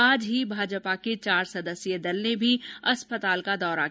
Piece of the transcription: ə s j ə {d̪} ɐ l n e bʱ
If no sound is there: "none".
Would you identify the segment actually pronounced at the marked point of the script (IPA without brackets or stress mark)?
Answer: d̪